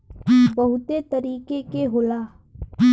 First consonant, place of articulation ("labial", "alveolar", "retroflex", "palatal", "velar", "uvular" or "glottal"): labial